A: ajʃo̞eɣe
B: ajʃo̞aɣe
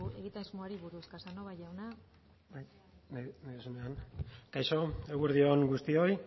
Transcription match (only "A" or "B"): A